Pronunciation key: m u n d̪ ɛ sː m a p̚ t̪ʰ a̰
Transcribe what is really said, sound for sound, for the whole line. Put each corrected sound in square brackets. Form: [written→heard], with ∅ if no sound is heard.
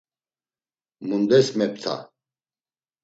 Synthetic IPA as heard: m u n d̪ ɛ [sː→s] m [a→ɛ] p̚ t̪ʰ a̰